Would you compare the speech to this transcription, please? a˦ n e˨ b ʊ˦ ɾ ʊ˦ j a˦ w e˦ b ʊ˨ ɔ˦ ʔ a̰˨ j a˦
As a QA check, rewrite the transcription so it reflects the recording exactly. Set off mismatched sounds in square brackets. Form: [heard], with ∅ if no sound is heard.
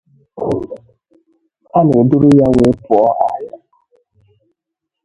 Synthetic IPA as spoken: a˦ n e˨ [d] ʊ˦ ɾ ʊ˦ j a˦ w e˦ [p] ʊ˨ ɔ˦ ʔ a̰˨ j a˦